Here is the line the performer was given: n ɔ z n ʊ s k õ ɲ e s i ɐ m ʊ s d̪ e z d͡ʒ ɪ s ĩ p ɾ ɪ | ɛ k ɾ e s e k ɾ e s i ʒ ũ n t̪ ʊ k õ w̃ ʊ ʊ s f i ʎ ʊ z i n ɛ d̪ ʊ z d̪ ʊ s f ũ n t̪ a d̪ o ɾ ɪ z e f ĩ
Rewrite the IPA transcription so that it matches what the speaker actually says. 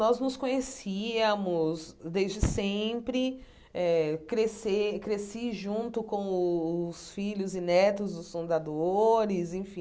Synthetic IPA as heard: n ɔ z n ʊ s k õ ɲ e s i ɐ m ʊ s d̪ e z d͡ʒ ɪ s ẽ p ɾ ɪ | ɛ k ɾ e s e k ɾ e s i ʒ ũ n t̪ ʊ k õ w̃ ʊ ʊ s f i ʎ ʊ z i n ɛ t̪ ʊ z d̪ ʊ s f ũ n d̪ a d̪ o ɾ ɪ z ẽ f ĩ